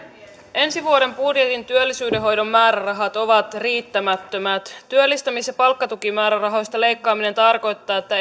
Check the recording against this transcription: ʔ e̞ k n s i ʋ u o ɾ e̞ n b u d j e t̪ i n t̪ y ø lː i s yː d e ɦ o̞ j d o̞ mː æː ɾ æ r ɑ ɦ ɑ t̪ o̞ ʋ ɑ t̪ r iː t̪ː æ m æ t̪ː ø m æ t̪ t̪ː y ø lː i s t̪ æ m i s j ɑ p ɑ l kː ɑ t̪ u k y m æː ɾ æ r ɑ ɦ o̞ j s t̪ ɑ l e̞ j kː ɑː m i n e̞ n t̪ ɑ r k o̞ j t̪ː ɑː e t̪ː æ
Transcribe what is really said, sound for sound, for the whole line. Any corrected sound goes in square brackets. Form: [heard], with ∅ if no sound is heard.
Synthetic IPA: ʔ e̞ [∅] n s i ʋ u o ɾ e̞ [m] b u d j e t̪ i n t̪ y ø lː i s yː d e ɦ o̞ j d o̞ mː æː ɾ æ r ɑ ɦ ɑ t̪ o̞ ʋ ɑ t̪ r iː t̪ː æ m æ t̪ː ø m æ t̪ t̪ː y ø lː i s t̪ æ m i s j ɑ p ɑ l kː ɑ t̪ u k [i] m æː ɾ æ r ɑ ɦ o̞ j s t̪ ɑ l e̞ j kː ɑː m i n e̞ n t̪ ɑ r k o̞ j t̪ː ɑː e t̪ː æ